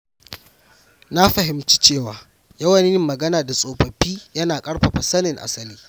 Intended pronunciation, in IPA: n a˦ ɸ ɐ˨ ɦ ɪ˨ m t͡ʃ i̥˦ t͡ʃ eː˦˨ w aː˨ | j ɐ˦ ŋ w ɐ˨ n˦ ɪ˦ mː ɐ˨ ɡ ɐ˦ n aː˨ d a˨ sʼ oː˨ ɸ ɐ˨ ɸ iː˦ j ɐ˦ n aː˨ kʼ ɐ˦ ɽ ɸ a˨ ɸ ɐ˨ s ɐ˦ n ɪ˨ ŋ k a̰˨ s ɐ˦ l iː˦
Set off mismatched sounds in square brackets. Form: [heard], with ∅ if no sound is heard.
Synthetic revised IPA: n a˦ ɸ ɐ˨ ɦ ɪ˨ m t͡ʃ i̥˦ t͡ʃ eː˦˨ w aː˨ | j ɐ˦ [∅] w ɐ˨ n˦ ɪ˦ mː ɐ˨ ɡ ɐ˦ n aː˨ d a˨ sʼ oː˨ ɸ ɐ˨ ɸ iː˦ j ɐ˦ n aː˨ kʼ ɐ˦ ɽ ɸ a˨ ɸ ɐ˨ s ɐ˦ n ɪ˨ ŋ [ʔ] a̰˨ s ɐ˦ l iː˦